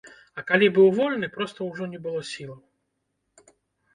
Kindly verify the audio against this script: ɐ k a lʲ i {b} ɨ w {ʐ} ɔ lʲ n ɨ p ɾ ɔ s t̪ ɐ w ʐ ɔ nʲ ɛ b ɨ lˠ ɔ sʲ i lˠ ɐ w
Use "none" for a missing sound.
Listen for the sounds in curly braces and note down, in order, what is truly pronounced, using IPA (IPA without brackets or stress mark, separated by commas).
b, v